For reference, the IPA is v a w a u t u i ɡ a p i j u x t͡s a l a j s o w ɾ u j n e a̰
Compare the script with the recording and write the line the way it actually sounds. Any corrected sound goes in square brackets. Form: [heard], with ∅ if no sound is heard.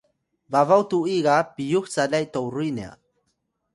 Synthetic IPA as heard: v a [v] a [w] t u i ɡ a p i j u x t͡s a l a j [t] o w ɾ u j n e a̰